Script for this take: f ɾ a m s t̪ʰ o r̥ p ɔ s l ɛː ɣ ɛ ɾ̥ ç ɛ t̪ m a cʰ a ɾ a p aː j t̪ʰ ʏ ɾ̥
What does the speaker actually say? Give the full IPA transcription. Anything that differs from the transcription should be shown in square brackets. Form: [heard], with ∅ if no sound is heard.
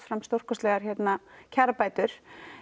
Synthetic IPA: f ɾ a m s [t̪] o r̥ [k] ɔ s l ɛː ɣ [a] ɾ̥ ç ɛ t̪ [n] a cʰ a ɾ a p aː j [t̪] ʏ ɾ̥